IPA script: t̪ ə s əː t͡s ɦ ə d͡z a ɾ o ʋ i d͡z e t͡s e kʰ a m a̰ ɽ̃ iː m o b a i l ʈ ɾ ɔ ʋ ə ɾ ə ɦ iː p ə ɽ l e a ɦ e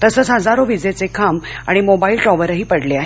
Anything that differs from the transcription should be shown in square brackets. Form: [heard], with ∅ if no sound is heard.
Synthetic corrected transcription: t̪ ə s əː t͡s ɦ ə d͡z a ɾ o ʋ i d͡z e t͡s e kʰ a m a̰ ɽ̃ [i] m o b a i l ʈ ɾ ɔ ʋ ə ɾ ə ɦ iː p ə ɽ l e a ɦ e